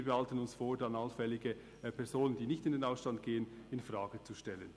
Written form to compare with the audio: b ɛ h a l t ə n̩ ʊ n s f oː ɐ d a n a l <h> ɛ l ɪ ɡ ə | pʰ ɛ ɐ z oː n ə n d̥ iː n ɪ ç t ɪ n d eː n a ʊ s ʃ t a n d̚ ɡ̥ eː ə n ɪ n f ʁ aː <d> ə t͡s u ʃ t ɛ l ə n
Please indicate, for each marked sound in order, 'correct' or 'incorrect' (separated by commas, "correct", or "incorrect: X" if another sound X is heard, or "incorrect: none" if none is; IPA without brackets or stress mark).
incorrect: f, incorrect: ɡ